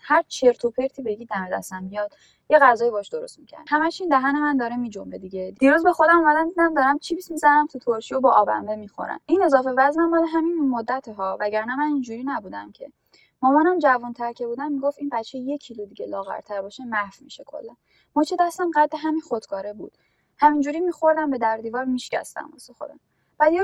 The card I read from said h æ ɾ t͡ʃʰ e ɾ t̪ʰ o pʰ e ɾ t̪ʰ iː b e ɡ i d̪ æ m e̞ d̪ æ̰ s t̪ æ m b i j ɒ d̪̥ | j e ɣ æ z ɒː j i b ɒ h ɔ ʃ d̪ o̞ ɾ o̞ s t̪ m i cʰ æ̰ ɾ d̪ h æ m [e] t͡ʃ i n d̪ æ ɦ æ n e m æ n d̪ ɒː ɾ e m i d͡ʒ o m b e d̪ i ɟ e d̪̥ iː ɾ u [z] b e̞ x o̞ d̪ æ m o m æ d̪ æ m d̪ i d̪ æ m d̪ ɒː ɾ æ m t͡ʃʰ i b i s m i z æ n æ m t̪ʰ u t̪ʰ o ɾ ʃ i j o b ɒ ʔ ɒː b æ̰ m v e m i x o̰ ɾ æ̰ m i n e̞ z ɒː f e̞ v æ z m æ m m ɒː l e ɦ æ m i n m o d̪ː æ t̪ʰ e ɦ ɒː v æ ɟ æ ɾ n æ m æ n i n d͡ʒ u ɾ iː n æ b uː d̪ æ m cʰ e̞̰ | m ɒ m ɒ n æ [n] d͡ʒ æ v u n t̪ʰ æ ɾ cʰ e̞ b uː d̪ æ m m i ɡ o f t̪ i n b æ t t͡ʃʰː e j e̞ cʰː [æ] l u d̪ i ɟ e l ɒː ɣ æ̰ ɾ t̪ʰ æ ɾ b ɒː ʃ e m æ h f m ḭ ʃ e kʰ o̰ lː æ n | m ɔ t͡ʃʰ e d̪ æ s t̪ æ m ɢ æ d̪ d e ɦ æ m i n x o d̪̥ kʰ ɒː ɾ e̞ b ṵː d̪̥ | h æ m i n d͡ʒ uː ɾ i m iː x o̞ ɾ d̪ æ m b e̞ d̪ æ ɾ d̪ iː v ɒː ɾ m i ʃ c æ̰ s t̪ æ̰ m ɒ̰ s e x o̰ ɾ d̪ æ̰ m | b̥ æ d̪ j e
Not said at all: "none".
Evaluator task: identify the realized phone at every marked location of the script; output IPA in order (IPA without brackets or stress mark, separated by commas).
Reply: æ, z, m, i